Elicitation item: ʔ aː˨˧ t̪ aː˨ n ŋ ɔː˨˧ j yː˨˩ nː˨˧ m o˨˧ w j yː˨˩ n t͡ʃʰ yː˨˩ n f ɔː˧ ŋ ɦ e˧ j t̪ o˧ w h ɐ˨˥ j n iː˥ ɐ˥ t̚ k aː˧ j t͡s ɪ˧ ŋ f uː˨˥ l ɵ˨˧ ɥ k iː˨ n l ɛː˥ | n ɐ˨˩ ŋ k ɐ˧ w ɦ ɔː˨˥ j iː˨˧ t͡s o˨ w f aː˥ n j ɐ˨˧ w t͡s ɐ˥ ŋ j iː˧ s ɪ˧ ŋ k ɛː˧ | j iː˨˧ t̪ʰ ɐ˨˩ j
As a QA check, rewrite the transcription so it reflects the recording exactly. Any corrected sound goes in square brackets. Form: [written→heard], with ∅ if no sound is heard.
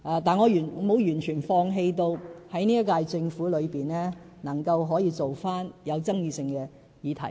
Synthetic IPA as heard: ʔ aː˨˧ t̪ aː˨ n ŋ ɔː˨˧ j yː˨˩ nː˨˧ m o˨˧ w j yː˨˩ n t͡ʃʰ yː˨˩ n f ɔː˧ ŋ ɦ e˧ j t̪ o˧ w h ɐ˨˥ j n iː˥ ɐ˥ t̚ k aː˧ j t͡s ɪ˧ ŋ f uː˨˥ l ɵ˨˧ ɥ [k→p] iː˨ n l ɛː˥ | n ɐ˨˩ ŋ k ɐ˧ w ɦ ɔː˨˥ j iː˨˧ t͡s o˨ w f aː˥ n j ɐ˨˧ w t͡s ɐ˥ ŋ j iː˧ s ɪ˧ ŋ k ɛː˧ | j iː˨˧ t̪ʰ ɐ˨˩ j